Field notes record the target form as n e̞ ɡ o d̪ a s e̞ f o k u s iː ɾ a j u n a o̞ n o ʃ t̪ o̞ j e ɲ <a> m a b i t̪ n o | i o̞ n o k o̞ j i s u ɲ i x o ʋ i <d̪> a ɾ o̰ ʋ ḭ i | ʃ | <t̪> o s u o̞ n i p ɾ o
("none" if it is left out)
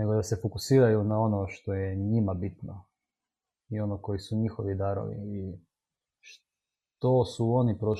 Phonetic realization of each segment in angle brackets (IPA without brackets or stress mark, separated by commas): i, d̪, t̪